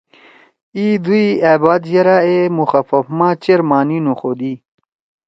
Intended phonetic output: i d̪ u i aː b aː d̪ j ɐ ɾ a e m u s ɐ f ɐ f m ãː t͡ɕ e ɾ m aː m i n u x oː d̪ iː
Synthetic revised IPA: i d̪ u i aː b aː d̪ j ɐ ɾ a e m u x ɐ f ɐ f m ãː t͡ɕ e ɾ m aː n i n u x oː d̪ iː

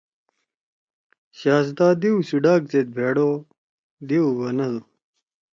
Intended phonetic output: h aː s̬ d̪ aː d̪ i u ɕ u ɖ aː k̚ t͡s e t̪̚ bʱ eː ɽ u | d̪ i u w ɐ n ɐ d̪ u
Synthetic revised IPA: ɕ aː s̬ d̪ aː d̪ i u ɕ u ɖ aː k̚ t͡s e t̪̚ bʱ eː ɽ o | d̪ i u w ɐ n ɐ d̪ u

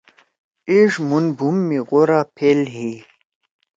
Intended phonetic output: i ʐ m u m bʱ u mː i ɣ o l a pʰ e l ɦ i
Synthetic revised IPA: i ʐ m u n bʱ u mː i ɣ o ɾ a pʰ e l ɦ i

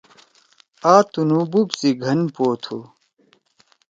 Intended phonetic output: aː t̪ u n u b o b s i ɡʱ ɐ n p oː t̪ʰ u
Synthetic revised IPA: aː t̪ u n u b u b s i ɡʱ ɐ n p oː t̪ʰ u

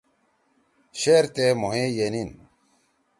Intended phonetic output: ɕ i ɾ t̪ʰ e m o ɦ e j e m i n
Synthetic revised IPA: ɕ e ɾ t̪ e m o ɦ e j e n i n

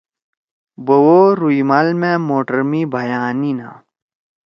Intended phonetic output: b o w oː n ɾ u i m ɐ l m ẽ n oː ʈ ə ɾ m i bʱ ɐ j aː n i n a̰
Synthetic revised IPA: b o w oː ɾ u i m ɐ l m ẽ m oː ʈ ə ɾ m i bʱ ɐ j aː n i n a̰

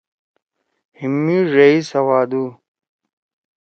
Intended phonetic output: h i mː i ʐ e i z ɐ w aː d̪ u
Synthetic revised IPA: h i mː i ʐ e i s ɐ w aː d̪ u

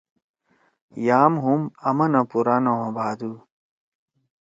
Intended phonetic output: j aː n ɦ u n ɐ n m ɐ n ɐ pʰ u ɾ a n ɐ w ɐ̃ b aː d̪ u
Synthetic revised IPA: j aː m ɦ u m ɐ m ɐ n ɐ p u ɾ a n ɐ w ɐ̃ b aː d̪ u

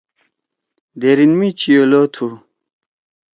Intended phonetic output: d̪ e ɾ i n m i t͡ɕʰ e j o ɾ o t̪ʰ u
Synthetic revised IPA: d̪ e ɾ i n m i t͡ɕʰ i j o l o t̪ʰ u

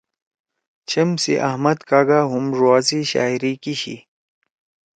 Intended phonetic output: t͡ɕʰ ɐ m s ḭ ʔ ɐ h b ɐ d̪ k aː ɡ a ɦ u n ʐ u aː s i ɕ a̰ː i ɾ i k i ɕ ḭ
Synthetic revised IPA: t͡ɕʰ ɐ m s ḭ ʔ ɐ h m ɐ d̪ k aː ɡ a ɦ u m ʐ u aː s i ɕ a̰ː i ɾ i k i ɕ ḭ

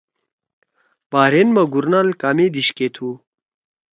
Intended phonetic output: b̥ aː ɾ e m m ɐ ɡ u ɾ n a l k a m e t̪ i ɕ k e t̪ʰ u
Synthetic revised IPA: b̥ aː ɾ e n m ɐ ɡ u ɾ n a l k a m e d̪ i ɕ k e t̪ʰ u

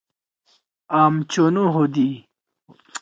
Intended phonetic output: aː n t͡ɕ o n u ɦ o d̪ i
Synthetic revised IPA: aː m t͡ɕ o n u ɦ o d̪ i

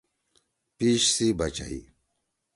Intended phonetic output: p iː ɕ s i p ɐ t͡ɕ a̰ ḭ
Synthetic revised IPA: p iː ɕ s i b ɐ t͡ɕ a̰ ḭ

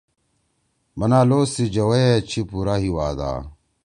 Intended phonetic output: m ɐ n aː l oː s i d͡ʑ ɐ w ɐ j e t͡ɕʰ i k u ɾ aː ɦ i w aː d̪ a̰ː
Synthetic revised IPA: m ɐ n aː l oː s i d͡ʑ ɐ w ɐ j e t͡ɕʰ i p u ɾ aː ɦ i w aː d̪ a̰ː

